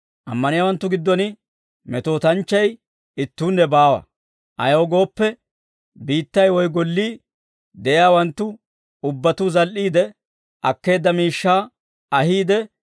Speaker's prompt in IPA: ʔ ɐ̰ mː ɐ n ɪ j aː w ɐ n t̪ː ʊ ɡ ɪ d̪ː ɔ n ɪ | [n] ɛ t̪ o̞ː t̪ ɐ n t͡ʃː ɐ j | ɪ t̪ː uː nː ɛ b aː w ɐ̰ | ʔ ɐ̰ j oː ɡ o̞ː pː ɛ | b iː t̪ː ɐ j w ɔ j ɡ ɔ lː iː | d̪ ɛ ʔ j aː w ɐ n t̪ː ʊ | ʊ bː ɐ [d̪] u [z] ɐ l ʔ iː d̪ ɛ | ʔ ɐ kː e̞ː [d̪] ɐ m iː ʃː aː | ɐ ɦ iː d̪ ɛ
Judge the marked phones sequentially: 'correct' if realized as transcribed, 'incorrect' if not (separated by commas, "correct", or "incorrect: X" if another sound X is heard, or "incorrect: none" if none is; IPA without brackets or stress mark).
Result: incorrect: m, incorrect: t̪, correct, incorrect: d̪ː